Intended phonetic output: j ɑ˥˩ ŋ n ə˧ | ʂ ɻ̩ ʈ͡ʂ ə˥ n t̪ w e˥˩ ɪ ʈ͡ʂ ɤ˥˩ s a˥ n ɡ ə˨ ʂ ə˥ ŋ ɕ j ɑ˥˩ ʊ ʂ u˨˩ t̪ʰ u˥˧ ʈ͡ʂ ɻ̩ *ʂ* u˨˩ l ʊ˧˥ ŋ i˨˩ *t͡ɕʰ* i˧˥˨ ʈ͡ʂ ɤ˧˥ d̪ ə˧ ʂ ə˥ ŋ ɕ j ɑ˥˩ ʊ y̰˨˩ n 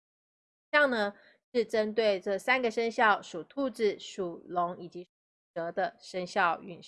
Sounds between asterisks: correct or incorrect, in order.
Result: correct, incorrect: t͡ɕ

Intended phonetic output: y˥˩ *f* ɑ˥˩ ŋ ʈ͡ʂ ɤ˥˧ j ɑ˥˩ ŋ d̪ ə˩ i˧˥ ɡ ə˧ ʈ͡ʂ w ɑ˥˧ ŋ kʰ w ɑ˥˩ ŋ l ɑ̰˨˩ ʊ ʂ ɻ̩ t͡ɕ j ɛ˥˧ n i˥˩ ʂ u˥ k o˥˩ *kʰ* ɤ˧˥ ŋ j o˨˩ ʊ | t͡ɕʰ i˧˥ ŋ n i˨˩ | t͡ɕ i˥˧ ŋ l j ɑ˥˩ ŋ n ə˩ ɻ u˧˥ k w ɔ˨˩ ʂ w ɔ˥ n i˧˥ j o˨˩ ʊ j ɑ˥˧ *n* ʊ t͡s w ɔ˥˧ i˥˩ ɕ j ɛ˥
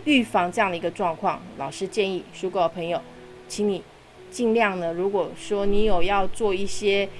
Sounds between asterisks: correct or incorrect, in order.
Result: correct, incorrect: pʰ, incorrect: none

